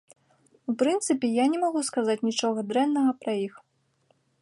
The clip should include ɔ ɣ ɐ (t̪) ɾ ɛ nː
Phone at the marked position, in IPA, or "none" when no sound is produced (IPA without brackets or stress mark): d̪